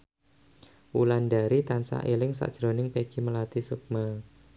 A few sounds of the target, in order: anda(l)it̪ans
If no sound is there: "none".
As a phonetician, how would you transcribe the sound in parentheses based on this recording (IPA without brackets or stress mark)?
ɾ